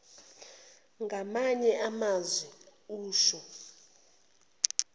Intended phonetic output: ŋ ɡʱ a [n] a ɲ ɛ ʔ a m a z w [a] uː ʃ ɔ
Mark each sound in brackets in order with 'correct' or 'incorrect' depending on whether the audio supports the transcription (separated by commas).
incorrect, incorrect